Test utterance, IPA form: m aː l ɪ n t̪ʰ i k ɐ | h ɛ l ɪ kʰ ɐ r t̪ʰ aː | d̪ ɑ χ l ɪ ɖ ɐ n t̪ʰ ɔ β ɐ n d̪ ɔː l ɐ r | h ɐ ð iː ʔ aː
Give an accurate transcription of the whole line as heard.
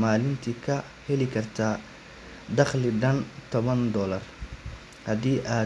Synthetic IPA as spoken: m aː l ɪ n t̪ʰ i kʰ ɐ | h ɛ l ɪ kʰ ɐ r t̪ʰ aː | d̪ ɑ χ l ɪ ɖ ɐ n t̪ʰ ɔ β ɐ n d̪ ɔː l ɐ r | h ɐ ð iː ʔ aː